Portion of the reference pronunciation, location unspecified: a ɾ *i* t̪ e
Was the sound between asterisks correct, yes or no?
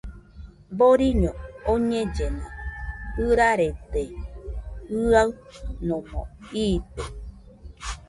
no